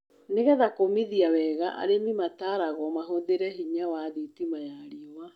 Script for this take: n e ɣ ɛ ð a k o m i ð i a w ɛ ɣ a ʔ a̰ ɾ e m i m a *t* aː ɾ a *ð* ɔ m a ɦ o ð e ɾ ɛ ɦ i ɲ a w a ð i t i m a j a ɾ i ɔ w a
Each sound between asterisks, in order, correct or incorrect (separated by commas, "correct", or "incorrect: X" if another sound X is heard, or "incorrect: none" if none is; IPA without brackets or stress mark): correct, incorrect: ɣ